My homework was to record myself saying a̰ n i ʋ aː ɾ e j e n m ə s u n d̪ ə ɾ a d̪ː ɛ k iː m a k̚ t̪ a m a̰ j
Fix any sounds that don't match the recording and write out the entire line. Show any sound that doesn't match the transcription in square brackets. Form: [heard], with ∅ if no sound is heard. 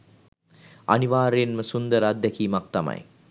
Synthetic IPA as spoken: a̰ n i ʋ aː ɾ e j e n m ə s u n d̪ ə ɾ a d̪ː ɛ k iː m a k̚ t̪ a m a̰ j

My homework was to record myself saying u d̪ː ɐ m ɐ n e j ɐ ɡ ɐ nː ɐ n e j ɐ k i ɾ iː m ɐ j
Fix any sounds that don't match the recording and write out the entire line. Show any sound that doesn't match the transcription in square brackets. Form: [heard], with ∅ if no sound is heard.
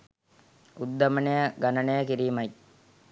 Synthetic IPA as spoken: u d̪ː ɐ m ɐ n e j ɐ ɡ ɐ [n] ɐ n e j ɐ k i ɾ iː m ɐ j

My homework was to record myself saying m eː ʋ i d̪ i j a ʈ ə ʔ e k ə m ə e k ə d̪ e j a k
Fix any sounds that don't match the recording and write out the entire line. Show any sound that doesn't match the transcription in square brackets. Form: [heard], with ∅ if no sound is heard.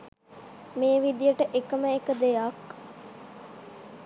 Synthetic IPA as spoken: m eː ʋ i d̪ i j [ə] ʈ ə ʔ e k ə m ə e k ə d̪ e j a k

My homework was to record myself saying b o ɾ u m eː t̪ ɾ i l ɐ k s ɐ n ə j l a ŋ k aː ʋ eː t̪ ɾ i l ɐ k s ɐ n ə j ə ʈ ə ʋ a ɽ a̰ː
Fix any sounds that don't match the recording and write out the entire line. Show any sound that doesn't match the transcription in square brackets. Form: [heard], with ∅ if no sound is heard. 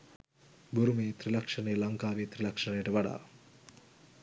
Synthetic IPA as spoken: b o ɾ u m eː t̪ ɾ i l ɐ k [ʂ] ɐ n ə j l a ŋ k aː ʋ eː t̪ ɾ i l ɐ k [ʂ] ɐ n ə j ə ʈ ə ʋ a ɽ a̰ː

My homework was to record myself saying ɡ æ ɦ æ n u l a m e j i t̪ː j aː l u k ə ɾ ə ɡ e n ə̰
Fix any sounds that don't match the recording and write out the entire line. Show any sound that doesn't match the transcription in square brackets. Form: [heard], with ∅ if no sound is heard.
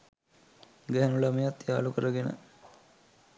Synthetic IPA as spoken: ɡ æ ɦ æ n u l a m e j [a] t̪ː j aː l u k ə ɾ ə ɡ e n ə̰

